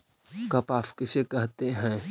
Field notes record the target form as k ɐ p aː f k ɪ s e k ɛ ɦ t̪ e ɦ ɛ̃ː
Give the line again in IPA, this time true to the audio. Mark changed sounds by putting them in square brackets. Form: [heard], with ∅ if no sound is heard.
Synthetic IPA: k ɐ p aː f k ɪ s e k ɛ ɦ t̪ e ɦ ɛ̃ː